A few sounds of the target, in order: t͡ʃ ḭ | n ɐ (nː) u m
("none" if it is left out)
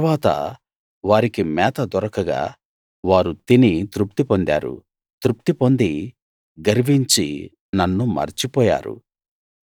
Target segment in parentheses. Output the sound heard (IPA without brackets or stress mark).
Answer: nː